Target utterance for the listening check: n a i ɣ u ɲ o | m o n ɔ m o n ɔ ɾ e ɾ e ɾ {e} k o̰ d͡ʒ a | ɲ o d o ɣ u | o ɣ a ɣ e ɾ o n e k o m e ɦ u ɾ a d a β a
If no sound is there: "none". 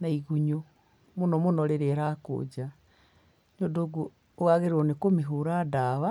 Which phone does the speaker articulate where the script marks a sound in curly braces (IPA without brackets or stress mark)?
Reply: a